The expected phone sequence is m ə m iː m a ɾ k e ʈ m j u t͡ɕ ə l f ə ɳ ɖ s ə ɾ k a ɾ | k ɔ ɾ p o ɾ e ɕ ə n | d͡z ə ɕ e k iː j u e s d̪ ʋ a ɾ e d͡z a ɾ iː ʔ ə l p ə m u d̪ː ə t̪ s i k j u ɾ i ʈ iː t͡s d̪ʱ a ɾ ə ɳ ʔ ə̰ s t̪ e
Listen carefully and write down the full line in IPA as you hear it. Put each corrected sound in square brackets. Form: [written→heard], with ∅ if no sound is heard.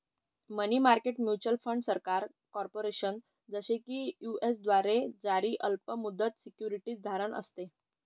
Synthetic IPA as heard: m ə [m→n] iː m a ɾ k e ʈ m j u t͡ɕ ə l f ə ɳ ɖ s ə ɾ k a ɾ | k ɔ ɾ p o ɾ e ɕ ə n | d͡z ə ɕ e k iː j u e s d̪ ʋ a ɾ e d͡z a ɾ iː ʔ ə l p ə m u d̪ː ə t̪ s i k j u ɾ i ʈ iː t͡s d̪ʱ a ɾ ə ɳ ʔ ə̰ s t̪ e